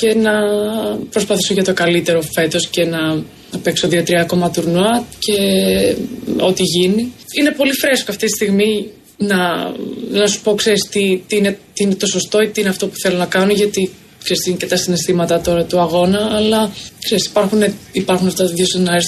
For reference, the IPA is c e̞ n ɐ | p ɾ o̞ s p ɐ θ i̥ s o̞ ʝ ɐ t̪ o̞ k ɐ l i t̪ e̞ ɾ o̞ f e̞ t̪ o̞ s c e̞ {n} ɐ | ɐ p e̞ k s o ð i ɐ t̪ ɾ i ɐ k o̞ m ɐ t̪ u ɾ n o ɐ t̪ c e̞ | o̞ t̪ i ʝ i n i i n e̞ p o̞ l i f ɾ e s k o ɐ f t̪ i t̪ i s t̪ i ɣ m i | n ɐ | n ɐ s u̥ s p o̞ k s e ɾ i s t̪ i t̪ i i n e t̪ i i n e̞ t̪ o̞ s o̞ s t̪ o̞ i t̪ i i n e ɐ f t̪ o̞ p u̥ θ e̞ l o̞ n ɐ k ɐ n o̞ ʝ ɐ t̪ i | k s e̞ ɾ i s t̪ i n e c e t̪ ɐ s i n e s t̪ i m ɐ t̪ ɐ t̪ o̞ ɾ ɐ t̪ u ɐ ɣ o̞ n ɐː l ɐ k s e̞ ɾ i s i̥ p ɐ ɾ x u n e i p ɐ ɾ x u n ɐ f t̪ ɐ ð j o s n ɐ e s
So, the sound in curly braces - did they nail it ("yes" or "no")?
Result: yes